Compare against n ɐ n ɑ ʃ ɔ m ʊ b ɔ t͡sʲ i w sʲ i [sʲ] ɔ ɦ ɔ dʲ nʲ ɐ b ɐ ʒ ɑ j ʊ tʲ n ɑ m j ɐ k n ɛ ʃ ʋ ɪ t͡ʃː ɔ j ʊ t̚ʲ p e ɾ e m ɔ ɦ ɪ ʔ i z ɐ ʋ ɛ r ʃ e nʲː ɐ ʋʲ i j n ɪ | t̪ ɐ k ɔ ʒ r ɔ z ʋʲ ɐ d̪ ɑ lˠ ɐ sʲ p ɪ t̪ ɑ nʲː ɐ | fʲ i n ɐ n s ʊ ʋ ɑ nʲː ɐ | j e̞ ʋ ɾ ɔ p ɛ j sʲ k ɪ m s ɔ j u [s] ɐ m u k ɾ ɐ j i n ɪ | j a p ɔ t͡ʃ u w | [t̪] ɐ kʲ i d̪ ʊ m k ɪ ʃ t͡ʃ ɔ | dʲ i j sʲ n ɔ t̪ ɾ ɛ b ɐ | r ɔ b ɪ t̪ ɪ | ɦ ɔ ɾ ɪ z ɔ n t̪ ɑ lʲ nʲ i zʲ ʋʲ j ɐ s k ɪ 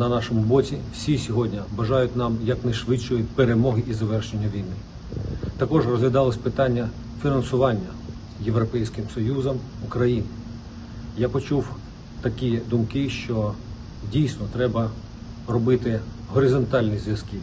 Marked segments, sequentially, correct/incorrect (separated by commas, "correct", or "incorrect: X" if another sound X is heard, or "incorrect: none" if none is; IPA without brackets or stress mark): correct, incorrect: z, correct